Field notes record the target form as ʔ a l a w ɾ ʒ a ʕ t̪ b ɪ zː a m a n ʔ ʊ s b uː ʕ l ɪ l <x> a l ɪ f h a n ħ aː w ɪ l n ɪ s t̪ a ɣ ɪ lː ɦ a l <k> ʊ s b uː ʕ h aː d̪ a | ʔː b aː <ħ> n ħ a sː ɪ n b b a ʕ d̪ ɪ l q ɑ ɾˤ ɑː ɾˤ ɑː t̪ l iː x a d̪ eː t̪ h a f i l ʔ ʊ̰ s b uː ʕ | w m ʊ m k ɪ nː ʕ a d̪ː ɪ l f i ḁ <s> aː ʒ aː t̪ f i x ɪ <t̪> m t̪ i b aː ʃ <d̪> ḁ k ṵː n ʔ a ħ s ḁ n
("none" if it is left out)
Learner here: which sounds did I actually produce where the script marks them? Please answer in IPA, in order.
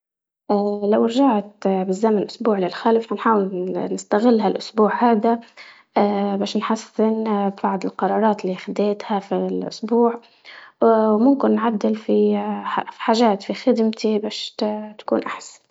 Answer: x, ʔ, ʃ, ħ, d̪, t̪

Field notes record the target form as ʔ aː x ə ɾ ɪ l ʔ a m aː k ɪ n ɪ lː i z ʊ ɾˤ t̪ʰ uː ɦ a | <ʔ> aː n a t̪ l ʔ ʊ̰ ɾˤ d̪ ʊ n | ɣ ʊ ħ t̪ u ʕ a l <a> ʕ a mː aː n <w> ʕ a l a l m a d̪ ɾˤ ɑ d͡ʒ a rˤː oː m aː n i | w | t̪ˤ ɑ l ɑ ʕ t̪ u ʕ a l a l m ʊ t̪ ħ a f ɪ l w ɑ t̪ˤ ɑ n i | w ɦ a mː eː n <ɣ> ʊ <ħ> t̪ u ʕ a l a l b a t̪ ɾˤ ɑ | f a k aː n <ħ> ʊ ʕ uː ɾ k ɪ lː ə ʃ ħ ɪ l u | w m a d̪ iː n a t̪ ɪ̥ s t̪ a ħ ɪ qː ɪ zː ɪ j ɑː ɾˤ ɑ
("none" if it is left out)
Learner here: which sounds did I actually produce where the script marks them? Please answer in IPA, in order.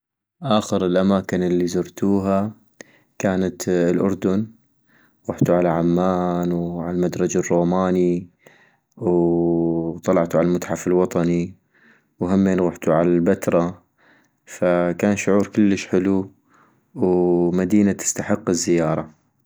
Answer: k, a, w, ɣ, ħ, ʃ

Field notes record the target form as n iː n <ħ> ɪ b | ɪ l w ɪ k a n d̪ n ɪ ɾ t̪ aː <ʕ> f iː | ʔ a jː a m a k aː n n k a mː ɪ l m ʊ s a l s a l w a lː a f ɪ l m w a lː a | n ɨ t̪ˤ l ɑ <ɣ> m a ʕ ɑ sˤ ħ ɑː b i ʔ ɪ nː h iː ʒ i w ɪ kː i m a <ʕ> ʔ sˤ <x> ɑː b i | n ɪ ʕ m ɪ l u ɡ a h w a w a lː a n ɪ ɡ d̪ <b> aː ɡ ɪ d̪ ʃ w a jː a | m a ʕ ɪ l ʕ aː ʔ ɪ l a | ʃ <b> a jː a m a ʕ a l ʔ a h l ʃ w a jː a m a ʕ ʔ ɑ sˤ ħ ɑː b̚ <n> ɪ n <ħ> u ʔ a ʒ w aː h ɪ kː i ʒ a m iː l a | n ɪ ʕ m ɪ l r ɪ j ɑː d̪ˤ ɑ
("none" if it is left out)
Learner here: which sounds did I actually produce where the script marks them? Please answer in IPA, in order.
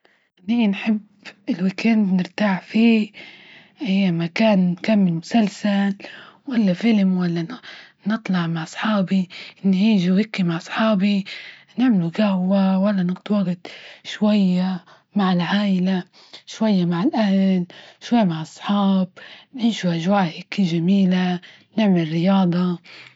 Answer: ħ, ʕ, ʕ, ʕ, ħ, w, w, n, ʃ

